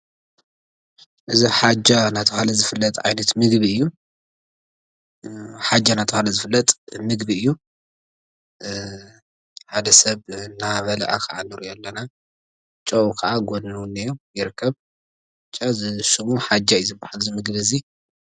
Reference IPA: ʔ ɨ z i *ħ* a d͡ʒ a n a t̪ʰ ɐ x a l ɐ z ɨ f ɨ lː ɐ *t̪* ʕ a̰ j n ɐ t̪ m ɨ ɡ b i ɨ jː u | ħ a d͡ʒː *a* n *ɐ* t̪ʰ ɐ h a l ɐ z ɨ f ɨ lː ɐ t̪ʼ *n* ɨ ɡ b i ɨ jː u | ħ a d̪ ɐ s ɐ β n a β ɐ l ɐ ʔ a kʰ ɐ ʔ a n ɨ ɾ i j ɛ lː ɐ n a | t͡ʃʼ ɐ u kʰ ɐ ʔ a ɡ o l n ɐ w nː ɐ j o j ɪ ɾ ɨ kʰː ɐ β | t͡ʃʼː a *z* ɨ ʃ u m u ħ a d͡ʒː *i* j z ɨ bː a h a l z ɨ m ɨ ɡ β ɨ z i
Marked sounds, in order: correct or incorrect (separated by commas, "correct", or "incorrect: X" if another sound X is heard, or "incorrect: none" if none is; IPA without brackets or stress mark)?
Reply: correct, incorrect: t̪ʼ, correct, incorrect: a, incorrect: m, correct, incorrect: a